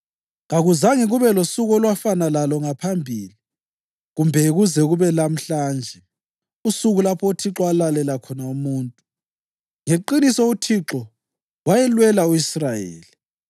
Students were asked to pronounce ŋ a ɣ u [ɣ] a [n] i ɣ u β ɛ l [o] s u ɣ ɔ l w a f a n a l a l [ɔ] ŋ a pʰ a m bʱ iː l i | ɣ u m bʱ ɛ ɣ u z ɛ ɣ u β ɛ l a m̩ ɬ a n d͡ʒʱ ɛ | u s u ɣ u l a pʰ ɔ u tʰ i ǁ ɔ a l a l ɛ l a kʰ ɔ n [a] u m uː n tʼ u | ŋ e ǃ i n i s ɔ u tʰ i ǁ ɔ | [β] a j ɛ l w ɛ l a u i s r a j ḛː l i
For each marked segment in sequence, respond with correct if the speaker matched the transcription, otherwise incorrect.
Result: incorrect, incorrect, correct, correct, correct, incorrect

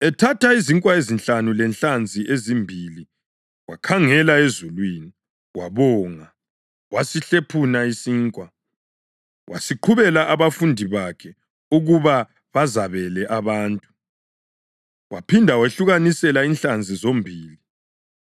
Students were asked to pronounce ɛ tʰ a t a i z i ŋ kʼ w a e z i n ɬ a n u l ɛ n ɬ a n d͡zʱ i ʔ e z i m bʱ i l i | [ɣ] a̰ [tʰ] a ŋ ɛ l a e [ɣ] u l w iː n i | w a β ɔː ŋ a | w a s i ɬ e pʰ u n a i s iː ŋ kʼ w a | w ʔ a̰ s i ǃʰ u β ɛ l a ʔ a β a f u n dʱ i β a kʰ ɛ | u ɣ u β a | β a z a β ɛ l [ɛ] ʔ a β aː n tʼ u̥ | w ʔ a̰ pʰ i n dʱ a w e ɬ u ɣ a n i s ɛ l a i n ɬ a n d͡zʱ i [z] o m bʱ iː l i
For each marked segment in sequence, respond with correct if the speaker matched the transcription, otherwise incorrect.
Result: incorrect, incorrect, incorrect, correct, correct

